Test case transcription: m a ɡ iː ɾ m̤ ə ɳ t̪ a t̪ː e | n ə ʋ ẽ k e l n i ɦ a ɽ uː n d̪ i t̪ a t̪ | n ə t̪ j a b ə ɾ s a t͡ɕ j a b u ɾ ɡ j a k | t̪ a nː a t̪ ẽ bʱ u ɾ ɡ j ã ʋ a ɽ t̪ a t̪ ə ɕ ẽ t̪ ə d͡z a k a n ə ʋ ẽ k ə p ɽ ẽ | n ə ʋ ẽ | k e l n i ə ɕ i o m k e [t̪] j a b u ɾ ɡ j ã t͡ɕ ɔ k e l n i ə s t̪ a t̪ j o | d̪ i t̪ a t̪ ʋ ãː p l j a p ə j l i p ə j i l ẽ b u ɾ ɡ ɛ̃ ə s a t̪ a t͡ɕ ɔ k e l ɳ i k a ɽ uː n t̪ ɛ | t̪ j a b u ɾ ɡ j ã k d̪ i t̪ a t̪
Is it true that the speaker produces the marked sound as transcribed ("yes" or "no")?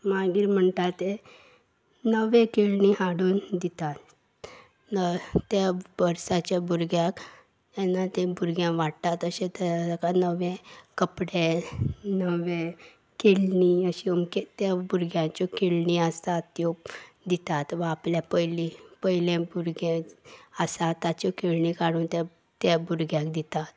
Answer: yes